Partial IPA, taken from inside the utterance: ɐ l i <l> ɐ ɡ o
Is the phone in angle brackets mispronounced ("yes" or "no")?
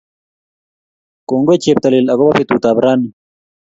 no